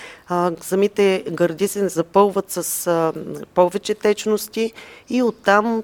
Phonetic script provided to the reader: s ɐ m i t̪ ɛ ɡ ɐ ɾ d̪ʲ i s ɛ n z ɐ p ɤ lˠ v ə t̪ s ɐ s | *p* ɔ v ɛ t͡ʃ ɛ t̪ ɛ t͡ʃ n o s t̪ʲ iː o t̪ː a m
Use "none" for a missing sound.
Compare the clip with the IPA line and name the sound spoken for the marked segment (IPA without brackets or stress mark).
p